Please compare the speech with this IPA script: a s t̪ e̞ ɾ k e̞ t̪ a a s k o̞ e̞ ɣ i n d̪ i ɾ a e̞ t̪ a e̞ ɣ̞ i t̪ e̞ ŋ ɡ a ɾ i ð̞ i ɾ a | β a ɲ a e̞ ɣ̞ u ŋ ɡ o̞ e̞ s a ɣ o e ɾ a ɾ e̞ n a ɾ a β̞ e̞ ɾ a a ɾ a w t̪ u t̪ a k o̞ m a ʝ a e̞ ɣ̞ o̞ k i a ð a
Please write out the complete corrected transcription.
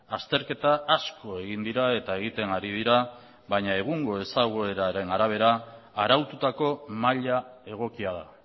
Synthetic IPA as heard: a s t̪ e̞ ɾ k e̞ t̪ a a s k o̞ e̞ ɣ i n d̪ i ɾ a e̞ t̪ a e̞ ɣ̞ i t̪ e̞ ŋ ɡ a ɾ i ð̞ i ɾ a | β a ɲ a e̞ ɣ̞ u ŋ ɡ o̞ e̞ s a ɣ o e ɾ a ɾ e̞ n a ɾ a β̞ e̞ ɾ a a ɾ a w t̪ u t̪ a k o̞ m a ʎ a e̞ ɣ̞ o̞ k i a ð a